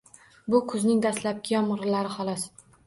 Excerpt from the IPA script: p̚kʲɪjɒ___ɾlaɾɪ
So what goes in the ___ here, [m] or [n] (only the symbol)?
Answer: m